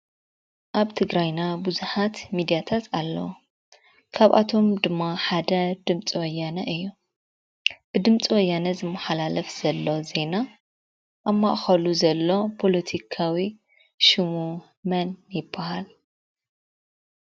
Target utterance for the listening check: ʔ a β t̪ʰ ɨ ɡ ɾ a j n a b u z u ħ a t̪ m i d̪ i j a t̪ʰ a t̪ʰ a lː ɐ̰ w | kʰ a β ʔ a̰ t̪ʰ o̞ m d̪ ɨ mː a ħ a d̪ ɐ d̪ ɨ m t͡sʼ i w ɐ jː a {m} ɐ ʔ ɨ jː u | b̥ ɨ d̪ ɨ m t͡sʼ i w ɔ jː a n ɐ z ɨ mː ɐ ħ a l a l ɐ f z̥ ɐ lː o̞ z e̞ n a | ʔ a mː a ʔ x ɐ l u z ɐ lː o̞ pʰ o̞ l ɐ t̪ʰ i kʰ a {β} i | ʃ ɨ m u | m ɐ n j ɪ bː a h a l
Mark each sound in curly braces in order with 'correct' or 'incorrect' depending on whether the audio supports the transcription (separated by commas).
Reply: incorrect, incorrect